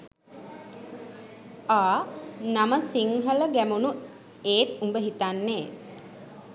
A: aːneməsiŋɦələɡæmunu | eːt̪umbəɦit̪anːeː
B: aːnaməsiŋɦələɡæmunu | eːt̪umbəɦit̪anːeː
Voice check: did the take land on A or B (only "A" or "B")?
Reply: B